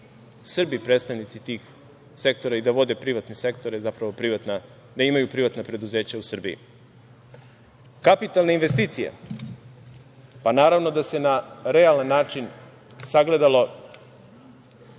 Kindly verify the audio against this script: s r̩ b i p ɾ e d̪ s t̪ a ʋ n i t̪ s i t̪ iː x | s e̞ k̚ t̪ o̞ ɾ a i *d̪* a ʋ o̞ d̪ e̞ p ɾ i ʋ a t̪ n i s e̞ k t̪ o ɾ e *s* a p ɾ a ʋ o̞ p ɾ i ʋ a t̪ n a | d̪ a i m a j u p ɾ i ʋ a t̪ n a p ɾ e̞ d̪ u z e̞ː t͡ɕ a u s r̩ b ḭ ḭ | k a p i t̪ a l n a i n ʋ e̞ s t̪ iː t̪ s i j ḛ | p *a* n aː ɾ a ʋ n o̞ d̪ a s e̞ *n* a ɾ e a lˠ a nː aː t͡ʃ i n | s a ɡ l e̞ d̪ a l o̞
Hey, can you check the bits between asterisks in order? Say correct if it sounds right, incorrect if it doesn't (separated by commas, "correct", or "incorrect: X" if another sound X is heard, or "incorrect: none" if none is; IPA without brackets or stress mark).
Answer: correct, incorrect: z, correct, correct